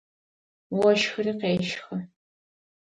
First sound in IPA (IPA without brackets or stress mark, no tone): w